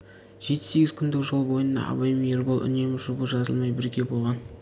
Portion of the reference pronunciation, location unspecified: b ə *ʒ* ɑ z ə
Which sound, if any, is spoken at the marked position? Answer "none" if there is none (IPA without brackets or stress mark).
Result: ʒ